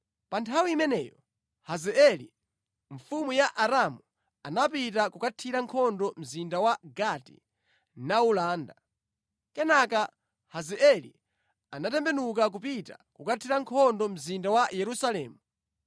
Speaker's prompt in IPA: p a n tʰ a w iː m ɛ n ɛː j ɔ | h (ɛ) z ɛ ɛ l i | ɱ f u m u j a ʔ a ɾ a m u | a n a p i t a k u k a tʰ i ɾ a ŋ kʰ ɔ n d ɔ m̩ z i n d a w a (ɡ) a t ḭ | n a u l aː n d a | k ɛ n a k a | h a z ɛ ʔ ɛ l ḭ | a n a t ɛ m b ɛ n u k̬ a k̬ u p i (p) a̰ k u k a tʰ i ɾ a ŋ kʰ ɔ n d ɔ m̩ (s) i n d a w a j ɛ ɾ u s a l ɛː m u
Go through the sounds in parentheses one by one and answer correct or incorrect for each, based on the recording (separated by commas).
incorrect, correct, incorrect, incorrect